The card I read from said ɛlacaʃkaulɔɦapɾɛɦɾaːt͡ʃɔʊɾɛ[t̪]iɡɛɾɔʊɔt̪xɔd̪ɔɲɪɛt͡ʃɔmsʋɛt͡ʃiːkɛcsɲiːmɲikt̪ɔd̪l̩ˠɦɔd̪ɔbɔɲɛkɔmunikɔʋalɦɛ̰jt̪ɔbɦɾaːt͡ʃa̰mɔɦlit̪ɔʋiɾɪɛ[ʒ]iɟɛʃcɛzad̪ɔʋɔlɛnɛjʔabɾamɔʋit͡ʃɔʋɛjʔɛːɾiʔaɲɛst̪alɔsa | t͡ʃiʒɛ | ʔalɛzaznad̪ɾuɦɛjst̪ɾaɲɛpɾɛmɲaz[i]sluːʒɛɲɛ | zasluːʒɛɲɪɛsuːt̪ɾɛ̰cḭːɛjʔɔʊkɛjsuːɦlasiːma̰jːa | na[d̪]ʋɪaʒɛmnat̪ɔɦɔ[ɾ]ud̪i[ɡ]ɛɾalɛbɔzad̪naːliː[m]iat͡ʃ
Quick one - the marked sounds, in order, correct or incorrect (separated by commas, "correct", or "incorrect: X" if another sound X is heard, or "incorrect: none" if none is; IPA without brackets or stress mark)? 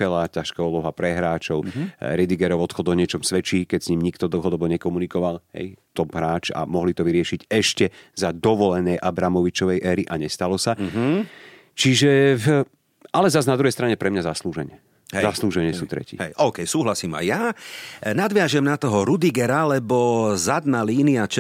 incorrect: d̪, incorrect: ʃ, incorrect: a, correct, correct, correct, incorrect: n